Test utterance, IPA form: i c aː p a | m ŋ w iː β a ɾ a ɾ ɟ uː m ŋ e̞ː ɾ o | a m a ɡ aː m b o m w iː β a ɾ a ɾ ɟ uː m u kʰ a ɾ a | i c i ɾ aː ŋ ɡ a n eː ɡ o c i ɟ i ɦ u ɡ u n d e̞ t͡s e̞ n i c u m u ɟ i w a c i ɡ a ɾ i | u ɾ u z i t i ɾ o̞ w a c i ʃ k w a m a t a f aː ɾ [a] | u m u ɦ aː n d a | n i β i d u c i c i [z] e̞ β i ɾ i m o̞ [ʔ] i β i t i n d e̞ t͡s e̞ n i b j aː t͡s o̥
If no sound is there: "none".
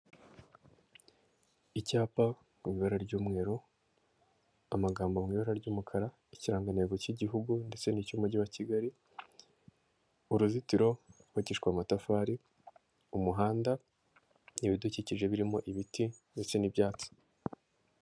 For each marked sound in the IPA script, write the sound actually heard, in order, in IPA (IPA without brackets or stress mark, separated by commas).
i, ʒ, ʔ